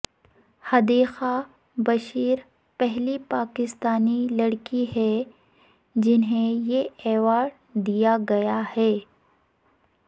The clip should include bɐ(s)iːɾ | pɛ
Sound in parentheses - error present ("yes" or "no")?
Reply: yes